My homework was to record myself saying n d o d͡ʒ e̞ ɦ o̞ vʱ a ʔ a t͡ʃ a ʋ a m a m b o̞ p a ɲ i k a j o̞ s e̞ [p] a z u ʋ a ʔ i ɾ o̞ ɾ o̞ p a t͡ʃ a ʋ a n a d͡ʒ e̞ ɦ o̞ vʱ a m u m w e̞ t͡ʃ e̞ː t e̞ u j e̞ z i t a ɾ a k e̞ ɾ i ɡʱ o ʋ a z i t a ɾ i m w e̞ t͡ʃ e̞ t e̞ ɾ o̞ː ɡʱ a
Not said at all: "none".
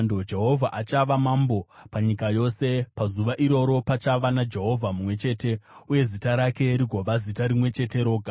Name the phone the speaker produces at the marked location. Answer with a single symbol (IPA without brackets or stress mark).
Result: p